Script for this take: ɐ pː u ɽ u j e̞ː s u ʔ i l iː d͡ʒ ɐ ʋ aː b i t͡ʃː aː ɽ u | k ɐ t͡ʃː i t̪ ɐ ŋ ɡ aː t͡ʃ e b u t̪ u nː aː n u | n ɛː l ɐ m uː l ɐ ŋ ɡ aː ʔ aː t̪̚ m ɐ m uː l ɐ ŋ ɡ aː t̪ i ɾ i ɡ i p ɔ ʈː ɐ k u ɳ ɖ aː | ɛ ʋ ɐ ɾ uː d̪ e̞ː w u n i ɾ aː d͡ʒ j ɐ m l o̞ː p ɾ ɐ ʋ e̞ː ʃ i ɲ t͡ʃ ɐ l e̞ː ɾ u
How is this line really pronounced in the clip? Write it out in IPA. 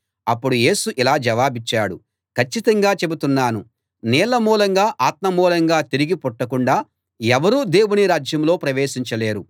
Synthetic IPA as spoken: ɐ pː u ɽ u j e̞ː s u ʔ i l aː d͡ʒ ɐ ʋ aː b i t͡ʃː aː ɽ u | k ɐ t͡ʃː i t̪ ɐ ŋ ɡ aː t͡ʃ e b u t̪ u nː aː n u | n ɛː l ɐ m uː l ɐ ŋ ɡ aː ʔ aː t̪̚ m ɐ m uː l ɐ ŋ ɡ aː t̪ i ɾ i ɡ i p ɔ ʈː ɐ k u ɳ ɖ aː | ɛ ʋ ɐ ɾ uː d̪ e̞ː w u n i ɾ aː d͡ʒ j ɐ m l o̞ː p ɾ ɐ ʋ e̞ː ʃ i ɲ t͡ʃ ɐ l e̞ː ɾ u